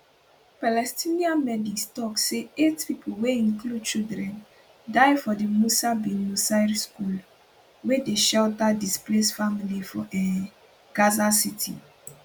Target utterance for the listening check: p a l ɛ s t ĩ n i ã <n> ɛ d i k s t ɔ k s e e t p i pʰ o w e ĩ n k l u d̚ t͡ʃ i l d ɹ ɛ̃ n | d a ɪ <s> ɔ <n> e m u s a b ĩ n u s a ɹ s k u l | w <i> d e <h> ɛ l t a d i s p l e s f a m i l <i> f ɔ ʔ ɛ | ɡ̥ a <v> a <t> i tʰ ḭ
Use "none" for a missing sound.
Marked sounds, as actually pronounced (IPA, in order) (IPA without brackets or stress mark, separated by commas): m, f, d, e, ʃ, i, z, s